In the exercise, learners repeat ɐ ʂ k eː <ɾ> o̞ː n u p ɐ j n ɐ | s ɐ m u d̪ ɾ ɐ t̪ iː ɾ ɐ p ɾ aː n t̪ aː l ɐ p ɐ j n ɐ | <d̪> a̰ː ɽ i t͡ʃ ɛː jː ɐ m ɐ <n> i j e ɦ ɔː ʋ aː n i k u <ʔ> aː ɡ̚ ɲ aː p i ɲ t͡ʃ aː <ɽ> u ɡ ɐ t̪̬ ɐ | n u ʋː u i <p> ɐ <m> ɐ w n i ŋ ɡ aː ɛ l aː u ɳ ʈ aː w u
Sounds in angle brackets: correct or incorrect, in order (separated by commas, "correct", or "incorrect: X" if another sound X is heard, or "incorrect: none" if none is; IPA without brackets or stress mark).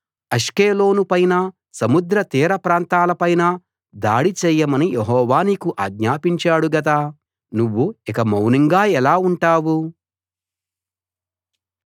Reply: incorrect: l, correct, correct, correct, correct, incorrect: k, correct